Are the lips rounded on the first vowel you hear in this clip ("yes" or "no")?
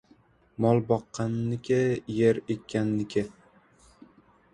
yes